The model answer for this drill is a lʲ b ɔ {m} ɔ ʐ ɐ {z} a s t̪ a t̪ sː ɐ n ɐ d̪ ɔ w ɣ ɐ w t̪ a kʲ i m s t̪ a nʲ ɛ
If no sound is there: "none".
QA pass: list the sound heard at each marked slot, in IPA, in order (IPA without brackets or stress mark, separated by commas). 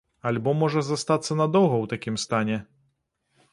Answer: m, z